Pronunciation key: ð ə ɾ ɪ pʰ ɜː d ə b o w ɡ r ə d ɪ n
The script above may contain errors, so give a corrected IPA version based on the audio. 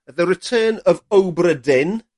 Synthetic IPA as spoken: ð ə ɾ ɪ tʰ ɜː n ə v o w b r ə d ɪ n